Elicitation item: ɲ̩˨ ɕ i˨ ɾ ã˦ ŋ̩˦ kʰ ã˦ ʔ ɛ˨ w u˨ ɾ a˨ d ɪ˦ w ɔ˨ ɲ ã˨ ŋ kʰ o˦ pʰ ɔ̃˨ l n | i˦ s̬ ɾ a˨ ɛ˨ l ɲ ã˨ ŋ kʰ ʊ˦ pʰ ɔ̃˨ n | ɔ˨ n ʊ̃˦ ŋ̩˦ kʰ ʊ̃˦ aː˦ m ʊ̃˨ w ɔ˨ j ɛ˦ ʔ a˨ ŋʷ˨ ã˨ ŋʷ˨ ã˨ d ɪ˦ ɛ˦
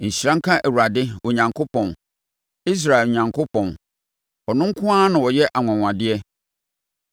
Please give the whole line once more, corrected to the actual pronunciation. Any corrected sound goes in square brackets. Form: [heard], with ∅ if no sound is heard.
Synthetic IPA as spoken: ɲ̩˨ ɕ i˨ ɾ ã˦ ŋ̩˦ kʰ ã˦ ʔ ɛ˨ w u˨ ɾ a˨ d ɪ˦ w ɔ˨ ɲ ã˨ ŋ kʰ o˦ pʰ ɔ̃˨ [∅] n | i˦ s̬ ɾ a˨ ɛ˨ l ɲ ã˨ ŋ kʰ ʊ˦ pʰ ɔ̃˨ n | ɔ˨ n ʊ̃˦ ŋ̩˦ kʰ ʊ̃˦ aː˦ [n] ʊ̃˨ w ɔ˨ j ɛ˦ ʔ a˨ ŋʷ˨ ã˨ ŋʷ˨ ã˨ d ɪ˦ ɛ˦